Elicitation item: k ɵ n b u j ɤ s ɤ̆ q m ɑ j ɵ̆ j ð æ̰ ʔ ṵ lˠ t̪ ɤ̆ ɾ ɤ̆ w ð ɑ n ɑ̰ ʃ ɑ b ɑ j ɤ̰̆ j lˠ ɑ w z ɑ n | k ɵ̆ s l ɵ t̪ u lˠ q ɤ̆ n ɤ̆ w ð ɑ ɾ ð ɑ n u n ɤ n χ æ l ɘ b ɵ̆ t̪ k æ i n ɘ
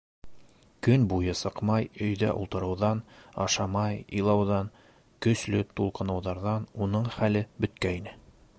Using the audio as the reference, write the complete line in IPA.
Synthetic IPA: k ɵ n b u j ɤ s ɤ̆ q m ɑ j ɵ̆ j ð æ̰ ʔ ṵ lˠ t̪ ɤ̆ ɾ ɤ̆ w ð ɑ n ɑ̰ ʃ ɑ m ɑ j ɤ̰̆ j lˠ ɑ w ð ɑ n | k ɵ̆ s l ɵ t̪ u lˠ q ɤ̆ n ɤ̆ w ð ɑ ɾ ð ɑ n u n ɤ ɴ χ æ l ɘ b ɵ̆ t̪ k æ i n ɘ